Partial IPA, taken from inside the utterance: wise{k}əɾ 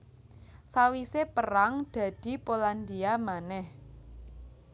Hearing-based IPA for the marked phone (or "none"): p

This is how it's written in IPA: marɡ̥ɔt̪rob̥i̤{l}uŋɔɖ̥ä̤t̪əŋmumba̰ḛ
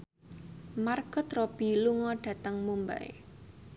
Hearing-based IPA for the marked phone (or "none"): l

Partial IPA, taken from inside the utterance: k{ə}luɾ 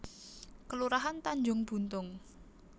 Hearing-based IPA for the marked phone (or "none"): ə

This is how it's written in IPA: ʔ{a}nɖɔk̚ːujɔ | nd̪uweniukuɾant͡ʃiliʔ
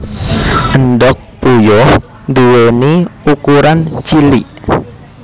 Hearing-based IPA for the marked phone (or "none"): ə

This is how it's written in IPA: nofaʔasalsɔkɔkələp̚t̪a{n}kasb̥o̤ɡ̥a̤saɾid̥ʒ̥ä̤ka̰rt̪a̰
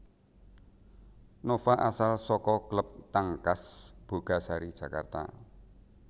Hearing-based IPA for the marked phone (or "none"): ŋ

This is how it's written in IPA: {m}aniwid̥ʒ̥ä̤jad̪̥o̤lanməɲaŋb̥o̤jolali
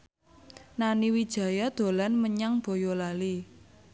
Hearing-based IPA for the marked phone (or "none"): n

